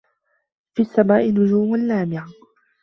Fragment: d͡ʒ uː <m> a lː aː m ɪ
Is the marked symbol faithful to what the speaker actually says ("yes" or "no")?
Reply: yes